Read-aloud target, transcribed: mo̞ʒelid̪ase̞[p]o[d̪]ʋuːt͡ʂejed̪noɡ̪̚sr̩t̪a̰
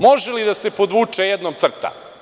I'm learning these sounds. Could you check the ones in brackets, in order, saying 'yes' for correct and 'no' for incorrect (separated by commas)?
yes, yes